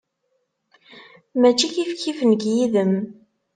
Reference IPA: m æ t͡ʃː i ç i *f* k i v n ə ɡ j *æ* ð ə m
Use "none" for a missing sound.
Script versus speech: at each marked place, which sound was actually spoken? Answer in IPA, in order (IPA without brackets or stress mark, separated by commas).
f, i